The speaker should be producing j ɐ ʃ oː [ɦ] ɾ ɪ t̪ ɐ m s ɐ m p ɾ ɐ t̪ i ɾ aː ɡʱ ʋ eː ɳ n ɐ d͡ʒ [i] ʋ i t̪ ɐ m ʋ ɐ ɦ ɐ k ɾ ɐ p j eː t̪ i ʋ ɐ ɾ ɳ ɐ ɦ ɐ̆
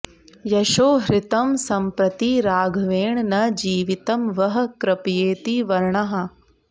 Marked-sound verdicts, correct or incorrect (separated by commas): correct, incorrect